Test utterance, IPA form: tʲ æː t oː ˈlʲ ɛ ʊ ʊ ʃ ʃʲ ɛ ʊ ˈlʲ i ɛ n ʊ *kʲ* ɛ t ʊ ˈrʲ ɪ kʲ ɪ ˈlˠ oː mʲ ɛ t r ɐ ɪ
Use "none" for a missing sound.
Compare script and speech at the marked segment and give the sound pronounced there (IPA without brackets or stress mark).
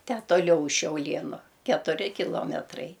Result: kʲ